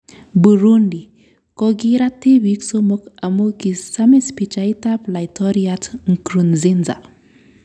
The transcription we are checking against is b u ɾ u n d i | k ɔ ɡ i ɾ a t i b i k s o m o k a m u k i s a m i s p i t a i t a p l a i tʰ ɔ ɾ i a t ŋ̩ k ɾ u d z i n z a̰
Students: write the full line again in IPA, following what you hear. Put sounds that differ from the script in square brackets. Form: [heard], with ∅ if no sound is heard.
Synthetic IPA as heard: b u ɾ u n d i | k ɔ ɡ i ɾ a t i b i k s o m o k a m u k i s a m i s p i [t͡ʃ] a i t a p l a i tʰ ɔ ɾ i a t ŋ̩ k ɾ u [n] z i n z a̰